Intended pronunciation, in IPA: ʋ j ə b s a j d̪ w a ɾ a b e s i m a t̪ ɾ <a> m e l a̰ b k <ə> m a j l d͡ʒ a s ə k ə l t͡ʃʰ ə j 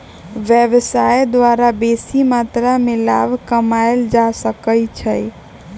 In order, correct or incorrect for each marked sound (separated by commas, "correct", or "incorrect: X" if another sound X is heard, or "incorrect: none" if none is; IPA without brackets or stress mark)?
correct, correct